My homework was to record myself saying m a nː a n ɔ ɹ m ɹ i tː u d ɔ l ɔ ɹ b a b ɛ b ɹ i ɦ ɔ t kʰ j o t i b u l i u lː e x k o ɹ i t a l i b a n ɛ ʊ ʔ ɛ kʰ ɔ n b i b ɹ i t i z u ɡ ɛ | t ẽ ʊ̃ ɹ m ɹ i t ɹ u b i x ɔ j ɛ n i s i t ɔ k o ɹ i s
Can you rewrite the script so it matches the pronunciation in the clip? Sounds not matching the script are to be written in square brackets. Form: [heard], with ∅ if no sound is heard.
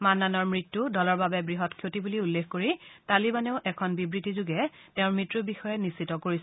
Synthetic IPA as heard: m a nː a n ɔ ɹ m ɹ i tː u d ɔ l ɔ ɹ b a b ɛ b ɹ i ɦ ɔ t kʰ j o t i b u l i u lː e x k o ɹ i t a l i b a n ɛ ʊ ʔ ɛ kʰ ɔ n b i b ɹ i t i z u ɡ ɛ | t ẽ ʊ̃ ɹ m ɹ i t ɹ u b i x ɔ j ɛ n i s i t ɔ k o ɹ i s